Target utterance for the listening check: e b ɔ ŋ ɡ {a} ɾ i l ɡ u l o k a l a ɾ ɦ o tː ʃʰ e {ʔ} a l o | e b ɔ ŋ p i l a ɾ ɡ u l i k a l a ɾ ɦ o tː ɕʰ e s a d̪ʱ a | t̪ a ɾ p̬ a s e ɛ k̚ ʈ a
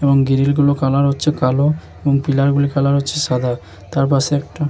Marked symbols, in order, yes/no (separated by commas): no, no